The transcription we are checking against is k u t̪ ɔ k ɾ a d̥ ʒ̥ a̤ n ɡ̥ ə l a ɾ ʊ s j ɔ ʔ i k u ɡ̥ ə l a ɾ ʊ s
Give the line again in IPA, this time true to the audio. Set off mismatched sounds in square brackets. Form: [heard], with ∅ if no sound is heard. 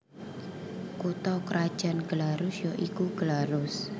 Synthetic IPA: k u t̪ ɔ k ɾ a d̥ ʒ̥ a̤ n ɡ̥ ə l a ɾ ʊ s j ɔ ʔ i k u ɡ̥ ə l a ɾ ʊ s

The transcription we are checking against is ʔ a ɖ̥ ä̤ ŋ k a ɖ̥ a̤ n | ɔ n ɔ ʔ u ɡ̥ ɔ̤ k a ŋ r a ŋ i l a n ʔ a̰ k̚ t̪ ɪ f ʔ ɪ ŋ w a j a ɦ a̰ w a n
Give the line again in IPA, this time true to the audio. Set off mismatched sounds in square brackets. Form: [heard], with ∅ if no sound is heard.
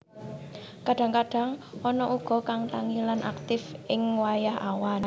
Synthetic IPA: [k] a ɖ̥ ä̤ ŋ k a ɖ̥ a̤ [ŋ] | ɔ n ɔ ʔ u ɡ̥ ɔ̤ k a ŋ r a ŋ i l a n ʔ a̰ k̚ t̪ ɪ f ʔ ɪ ŋ w a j a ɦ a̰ w a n

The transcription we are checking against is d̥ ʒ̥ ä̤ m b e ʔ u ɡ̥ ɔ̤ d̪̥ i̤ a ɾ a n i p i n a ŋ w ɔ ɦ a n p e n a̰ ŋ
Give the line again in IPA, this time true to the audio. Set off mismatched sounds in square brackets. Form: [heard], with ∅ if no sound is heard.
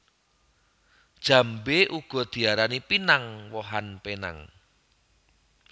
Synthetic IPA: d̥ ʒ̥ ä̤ m b e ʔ u ɡ̥ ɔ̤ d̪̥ i̤ a ɾ a n i p i n a ŋ w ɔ ɦ a n p e n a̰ ŋ

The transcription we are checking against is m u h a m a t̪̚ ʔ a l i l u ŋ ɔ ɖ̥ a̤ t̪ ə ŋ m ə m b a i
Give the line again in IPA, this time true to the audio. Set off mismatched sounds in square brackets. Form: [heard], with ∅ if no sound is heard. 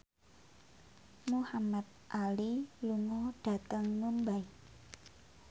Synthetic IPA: m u h a m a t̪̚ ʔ a l i l u ŋ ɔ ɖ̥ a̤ t̪ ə ŋ m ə m b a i

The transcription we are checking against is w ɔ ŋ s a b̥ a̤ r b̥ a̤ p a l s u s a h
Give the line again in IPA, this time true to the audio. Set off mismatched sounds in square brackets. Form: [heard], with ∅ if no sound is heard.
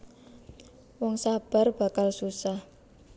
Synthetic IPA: w ɔ ŋ s a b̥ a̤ r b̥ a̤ [k] a l s u s a h

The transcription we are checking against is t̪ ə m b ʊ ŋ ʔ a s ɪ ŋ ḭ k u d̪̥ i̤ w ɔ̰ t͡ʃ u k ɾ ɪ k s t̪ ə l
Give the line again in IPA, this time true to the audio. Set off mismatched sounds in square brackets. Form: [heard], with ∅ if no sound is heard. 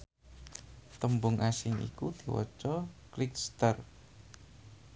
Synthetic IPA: t̪ ə m b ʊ ŋ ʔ a s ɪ ŋ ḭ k u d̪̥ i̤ w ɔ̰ t͡ʃ [ɔ] k [l] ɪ k s t̪ ə [r]

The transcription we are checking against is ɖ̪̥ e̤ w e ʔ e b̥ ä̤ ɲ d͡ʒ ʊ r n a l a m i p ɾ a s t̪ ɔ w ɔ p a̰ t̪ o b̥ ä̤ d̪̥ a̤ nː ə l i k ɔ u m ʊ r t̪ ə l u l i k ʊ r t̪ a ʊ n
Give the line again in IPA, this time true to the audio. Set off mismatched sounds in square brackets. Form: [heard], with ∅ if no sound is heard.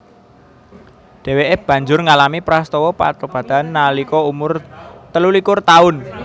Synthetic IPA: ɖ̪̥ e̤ w e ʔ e b̥ ä̤ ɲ d͡ʒ ʊ r [ŋ] a l a m i p ɾ a s t̪ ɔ w ɔ p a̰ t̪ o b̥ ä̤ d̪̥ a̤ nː [a] l i k ɔ u m ʊ r t̪ ə l u l i k ʊ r t̪ a ʊ n

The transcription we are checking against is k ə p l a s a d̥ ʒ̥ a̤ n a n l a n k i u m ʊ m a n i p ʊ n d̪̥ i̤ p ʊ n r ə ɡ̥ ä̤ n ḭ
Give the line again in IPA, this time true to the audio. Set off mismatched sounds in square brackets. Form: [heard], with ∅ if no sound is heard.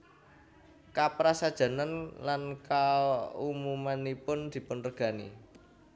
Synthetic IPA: k [a] p [ɾ] a s a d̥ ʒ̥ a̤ n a n l a n k [a] u m [u] m a n i p ʊ n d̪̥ i̤ p ʊ n r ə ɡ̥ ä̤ n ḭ

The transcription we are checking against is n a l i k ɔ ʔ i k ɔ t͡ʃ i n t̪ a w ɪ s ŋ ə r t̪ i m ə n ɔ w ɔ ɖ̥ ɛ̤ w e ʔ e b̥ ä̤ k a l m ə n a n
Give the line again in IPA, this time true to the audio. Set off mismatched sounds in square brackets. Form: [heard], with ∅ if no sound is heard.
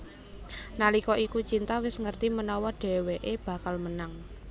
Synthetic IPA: n a l i k ɔ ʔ i k [u] t͡ʃ i n t̪ a w ɪ s ŋ ə r t̪ i m ə n ɔ w ɔ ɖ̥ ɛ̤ w e ʔ e b̥ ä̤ k a l m ə n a [ŋ]

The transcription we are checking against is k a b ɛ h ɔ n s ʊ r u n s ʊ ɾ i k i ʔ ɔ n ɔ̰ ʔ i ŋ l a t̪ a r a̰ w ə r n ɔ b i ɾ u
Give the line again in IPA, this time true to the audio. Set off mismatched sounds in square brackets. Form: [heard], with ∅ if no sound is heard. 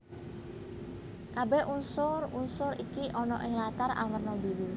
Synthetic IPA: k a b ɛ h [u] n s ʊ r u n s ʊ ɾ i k i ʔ ɔ n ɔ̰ ʔ [ɪ] ŋ l a t̪ a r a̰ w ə r n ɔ b i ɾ u

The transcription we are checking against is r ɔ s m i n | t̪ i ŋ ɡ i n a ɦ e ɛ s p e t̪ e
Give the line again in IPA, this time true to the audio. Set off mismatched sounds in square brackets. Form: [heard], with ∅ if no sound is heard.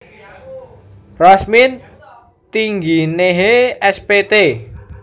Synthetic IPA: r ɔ s m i n | t̪ i ŋ ɡ i n [e] ɦ e ɛ s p e t̪ e

